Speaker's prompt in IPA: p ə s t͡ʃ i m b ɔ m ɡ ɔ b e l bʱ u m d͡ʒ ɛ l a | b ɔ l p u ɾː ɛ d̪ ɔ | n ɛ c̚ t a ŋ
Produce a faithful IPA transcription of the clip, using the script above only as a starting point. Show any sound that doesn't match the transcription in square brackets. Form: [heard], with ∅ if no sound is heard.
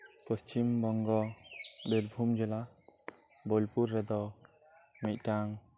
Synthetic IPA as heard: p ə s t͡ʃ i m b ɔ [ŋ] ɡ ɔ b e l bʱ u m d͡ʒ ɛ l a | b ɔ l p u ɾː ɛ d̪ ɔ | [m] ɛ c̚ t a ŋ